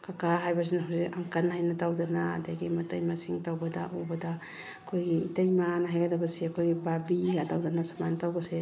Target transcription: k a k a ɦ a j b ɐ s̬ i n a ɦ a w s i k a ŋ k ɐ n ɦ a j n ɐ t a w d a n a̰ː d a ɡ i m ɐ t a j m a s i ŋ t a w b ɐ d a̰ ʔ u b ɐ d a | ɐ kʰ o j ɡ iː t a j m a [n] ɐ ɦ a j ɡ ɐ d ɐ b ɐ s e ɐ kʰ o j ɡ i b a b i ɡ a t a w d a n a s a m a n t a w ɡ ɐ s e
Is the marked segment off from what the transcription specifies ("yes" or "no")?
no